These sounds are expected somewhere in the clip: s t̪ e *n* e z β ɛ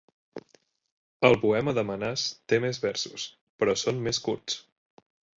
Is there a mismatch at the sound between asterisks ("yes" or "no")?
yes